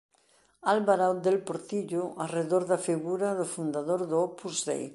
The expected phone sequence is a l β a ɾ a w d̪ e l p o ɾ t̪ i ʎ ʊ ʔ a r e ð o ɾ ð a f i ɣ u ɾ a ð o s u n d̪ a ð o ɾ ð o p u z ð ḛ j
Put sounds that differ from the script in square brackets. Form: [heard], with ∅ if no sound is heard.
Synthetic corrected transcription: a l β a ɾ a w d̪ e l p o ɾ t̪ i ʎ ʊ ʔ a r e ð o ɾ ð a f i ɣ u ɾ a ð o [f] u n d̪ a ð o ɾ ð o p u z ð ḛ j

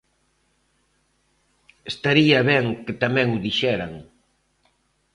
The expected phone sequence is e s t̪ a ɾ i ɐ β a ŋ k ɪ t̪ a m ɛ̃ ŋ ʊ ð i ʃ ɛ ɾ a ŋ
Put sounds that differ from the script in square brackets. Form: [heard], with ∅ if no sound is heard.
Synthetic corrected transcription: e s t̪ a ɾ i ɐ β [ɛ] ŋ k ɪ t̪ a m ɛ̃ ŋ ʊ ð i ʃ ɛ ɾ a ŋ

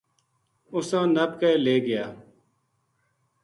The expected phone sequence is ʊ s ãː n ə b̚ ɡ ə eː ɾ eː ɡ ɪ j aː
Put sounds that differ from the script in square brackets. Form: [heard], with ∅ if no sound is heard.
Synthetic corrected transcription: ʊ s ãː n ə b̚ [k] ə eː [l] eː ɡ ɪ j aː

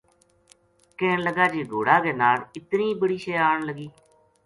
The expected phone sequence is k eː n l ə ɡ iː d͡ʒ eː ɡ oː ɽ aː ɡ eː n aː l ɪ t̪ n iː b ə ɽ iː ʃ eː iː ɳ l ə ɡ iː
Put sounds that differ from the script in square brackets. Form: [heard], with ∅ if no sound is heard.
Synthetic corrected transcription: k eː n l ə ɡ [aː] d͡ʒ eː ɡ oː ɽ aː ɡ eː n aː l ɪ t̪ n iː b ə ɽ iː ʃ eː [aː] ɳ l ə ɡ iː

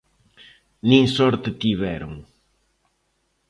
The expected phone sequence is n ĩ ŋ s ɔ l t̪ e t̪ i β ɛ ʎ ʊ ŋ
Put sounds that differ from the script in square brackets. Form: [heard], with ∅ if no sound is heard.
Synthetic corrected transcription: n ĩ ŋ s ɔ [ɾ] t̪ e t̪ i β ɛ [ɾ] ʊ ŋ

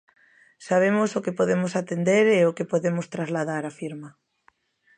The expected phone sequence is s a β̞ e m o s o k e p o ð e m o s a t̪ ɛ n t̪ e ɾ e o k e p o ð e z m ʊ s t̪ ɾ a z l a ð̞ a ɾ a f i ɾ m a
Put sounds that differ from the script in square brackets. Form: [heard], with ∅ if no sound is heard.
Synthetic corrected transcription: s a β̞ e m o s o k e p o ð e m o s a t̪ [e] n [d̪] e ɾ e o k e p o ð e [∅] m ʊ s t̪ ɾ a z l a ð̞ a ɾ a f i ɾ m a

